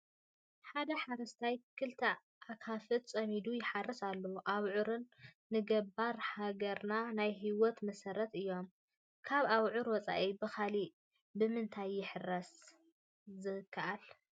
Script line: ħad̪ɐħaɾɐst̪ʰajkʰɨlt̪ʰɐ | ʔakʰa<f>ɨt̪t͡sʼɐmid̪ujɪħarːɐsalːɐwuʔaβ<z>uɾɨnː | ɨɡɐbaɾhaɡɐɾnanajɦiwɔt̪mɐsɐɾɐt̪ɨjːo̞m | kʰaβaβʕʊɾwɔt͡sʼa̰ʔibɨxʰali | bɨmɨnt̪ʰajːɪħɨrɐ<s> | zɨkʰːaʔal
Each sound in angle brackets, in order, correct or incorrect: correct, incorrect: ʕ, correct

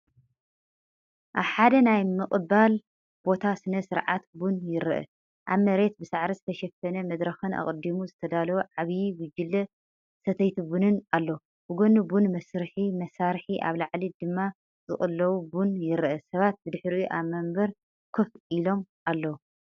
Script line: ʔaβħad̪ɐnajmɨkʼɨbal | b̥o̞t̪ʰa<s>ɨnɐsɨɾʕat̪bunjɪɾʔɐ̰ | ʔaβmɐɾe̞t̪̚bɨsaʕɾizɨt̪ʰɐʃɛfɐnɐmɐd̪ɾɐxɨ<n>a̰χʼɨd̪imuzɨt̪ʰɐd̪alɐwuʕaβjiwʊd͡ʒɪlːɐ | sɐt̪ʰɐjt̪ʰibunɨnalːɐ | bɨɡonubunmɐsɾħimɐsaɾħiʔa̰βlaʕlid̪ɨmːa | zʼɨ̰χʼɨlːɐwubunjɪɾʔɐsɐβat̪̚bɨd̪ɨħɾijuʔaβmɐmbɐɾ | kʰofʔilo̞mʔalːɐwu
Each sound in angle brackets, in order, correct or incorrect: correct, correct

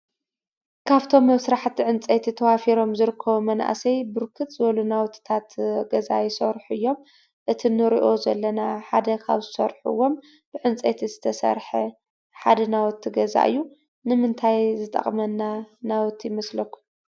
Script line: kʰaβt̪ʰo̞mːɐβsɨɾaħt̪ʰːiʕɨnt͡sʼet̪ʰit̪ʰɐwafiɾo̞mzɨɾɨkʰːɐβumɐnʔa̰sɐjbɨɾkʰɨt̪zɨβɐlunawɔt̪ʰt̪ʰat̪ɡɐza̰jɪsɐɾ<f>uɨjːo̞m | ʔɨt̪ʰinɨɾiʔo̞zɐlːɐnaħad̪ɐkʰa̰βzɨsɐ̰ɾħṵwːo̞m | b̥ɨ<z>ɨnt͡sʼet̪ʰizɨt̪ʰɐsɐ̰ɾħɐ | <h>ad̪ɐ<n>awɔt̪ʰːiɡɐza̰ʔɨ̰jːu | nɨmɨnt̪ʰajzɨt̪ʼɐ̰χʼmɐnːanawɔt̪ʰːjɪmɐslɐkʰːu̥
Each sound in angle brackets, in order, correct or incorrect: incorrect: ħ, incorrect: ʕ, incorrect: ħ, correct

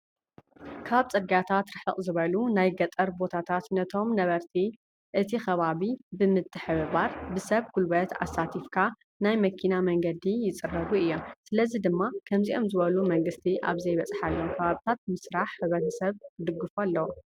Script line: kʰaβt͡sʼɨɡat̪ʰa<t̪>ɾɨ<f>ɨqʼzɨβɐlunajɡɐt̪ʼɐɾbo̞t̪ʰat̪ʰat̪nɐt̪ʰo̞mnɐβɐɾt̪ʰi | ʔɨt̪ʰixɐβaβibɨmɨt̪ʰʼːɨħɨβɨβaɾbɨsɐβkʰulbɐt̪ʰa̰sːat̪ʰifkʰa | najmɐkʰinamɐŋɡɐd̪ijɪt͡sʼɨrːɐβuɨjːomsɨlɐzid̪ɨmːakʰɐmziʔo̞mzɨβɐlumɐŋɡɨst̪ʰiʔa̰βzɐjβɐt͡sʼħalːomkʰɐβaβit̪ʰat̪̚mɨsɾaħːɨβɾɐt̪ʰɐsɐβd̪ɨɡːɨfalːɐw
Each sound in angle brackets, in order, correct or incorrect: correct, incorrect: ħ

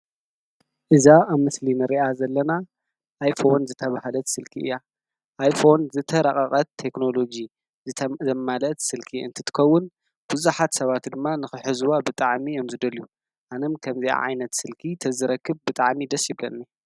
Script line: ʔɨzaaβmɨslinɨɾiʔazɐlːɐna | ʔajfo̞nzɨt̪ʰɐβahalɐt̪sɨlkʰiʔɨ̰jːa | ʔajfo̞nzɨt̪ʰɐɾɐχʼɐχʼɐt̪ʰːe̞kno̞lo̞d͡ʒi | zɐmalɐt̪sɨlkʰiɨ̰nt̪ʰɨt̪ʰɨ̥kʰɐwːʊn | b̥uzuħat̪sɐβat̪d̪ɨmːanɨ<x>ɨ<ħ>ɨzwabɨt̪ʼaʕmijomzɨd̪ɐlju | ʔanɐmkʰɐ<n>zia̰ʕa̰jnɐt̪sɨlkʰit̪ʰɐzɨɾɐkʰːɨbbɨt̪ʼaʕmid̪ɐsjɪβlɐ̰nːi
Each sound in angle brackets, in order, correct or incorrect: correct, correct, incorrect: m

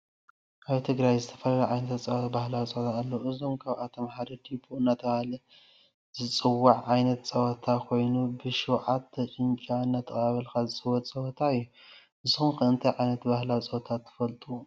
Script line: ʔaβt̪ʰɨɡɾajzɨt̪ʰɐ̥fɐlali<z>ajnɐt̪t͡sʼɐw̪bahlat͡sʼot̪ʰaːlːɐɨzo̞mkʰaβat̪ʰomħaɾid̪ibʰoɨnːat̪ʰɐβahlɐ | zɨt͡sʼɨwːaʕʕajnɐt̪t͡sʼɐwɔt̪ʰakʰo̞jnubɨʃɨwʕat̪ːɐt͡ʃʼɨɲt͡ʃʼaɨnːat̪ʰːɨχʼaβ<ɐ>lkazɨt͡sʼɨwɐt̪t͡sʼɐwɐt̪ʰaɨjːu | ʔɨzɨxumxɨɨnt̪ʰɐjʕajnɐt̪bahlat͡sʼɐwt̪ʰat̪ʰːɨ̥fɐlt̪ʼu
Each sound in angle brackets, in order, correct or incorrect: incorrect: ʕ, correct

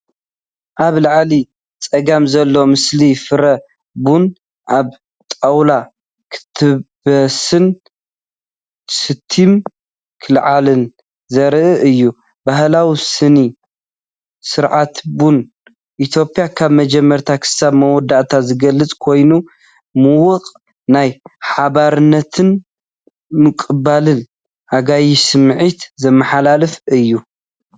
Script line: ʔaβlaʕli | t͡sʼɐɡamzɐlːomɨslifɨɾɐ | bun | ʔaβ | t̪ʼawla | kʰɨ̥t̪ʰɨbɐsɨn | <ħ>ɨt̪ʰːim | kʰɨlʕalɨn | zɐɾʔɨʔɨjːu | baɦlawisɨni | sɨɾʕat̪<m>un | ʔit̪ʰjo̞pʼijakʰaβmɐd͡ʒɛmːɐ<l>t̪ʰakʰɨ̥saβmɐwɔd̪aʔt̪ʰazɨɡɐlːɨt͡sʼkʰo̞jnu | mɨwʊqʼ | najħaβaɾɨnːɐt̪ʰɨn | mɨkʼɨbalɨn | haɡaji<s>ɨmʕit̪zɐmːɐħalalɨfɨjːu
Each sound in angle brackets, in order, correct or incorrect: incorrect: s, incorrect: b, incorrect: ɾ, correct

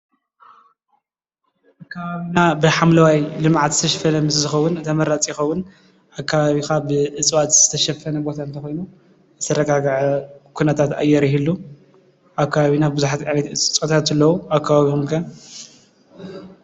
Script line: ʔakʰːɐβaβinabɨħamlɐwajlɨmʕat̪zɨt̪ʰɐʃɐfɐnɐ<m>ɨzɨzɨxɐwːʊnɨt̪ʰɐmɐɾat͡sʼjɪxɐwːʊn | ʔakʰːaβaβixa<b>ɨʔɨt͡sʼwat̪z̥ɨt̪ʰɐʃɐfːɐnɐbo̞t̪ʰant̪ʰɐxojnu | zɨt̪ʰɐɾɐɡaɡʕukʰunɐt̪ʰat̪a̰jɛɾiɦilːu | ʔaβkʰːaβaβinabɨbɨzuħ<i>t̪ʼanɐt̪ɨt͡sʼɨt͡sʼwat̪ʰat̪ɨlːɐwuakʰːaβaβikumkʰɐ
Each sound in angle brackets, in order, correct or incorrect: correct, correct, incorrect: a

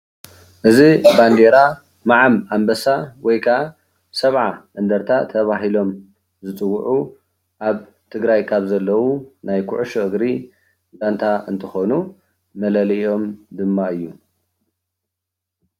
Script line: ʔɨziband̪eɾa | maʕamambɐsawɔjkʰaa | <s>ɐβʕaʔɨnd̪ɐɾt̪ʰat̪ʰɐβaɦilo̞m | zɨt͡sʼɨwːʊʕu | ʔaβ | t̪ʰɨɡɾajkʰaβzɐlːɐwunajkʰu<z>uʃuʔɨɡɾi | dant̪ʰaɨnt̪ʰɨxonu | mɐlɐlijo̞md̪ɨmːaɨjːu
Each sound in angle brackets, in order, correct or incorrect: correct, incorrect: ʕ

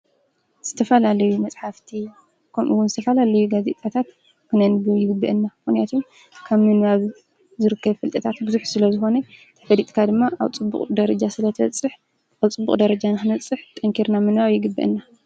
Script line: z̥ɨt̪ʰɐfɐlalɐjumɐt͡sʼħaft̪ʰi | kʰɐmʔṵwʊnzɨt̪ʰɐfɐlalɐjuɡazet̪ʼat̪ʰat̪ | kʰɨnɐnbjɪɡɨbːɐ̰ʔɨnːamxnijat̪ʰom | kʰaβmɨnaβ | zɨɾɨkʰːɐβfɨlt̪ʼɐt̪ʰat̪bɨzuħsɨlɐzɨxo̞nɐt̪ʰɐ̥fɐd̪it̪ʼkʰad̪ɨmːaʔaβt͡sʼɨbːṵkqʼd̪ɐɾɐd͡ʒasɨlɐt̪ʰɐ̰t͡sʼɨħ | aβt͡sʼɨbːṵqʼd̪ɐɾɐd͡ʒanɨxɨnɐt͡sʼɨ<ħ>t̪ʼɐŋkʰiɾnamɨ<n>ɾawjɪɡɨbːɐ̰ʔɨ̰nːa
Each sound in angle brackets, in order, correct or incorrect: correct, correct

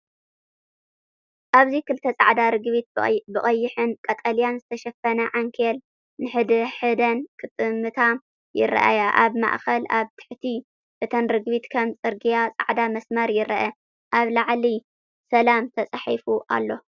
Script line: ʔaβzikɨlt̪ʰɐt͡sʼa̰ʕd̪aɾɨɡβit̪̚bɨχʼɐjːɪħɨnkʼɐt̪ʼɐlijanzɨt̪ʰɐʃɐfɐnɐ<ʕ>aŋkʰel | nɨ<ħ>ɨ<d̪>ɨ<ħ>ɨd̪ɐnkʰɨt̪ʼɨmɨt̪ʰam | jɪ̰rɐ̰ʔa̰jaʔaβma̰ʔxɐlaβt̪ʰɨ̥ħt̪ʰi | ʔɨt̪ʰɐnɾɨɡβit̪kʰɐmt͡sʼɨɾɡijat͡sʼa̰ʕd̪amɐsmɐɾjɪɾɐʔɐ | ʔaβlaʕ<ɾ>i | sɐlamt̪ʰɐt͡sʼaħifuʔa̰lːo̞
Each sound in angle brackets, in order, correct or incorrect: correct, correct, correct, correct, incorrect: l

